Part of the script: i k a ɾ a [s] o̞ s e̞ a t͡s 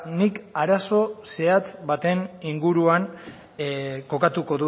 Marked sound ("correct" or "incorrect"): correct